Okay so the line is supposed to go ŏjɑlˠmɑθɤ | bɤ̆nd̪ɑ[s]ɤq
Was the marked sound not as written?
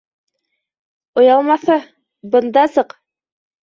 no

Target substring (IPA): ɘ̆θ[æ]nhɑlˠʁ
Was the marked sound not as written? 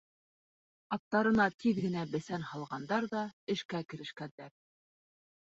no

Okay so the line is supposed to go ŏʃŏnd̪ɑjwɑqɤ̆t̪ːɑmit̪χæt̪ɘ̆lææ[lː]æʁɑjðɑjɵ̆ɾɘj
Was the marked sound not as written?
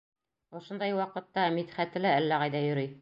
no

